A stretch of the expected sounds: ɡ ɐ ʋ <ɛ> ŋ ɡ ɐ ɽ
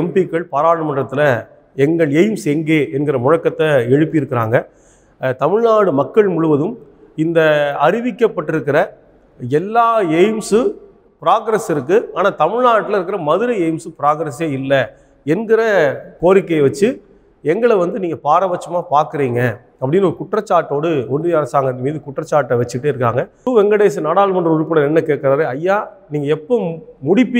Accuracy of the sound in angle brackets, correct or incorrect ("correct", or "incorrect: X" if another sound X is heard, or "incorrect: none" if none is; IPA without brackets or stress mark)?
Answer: correct